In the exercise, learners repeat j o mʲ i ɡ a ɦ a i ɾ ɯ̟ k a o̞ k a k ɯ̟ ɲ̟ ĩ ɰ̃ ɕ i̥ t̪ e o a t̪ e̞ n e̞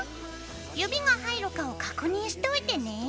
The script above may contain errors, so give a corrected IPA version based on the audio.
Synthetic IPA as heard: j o bʲ i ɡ a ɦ a i ɾ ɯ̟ k a o̞ k a k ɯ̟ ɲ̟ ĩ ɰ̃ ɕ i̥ t̪ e o i t̪ e̞ n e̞